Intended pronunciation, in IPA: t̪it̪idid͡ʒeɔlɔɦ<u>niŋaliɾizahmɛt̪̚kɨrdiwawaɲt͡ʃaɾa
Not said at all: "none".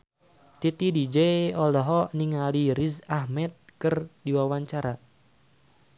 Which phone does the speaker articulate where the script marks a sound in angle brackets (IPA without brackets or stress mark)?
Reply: ɔ